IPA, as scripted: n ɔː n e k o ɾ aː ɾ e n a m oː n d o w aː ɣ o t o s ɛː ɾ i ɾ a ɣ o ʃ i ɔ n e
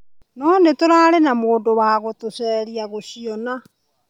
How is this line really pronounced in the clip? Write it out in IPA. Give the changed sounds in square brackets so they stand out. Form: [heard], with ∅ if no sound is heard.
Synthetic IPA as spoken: n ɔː n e [t] o ɾ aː ɾ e n a m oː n d o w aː ɣ o t o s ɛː ɾ i [∅] a ɣ o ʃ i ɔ n [a]